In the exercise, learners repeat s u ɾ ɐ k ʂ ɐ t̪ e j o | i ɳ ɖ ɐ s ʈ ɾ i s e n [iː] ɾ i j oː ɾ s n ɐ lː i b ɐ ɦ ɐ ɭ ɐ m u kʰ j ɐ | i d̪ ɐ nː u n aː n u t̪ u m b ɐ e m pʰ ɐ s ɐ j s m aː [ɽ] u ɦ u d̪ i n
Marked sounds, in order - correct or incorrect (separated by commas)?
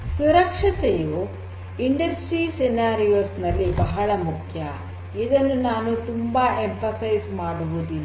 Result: incorrect, correct